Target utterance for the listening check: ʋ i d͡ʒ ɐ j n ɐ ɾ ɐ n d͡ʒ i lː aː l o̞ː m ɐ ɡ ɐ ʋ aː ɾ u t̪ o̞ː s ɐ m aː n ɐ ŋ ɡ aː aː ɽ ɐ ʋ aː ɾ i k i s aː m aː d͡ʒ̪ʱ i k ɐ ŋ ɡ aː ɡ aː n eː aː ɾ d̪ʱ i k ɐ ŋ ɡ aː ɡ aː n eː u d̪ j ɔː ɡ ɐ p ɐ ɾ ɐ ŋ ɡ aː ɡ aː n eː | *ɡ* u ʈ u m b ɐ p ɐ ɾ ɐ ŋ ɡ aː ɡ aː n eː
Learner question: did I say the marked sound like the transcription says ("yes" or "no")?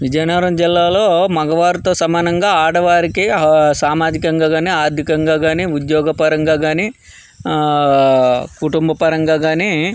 no